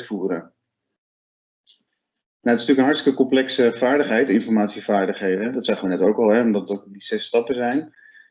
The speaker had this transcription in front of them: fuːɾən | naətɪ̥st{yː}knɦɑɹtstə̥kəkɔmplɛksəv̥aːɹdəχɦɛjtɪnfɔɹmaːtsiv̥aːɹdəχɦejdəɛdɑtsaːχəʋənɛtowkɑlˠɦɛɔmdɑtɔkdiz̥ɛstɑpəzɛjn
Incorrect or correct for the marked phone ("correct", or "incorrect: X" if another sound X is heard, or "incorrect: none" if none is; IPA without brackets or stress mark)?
correct